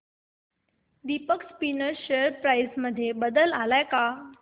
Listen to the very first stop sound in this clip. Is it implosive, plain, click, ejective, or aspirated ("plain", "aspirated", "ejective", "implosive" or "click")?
plain